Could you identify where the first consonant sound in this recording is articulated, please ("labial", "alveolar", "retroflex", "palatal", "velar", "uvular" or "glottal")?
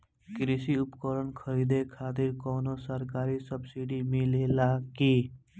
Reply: velar